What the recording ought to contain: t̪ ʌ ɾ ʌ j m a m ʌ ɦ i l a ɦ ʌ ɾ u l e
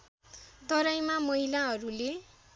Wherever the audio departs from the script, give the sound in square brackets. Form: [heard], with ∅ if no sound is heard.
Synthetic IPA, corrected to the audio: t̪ ʌ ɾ [a] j m a m ʌ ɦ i l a ɦ ʌ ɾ u l e